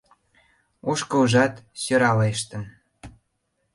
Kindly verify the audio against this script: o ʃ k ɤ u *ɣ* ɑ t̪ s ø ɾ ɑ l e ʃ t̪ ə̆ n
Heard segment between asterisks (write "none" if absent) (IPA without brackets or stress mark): ʒ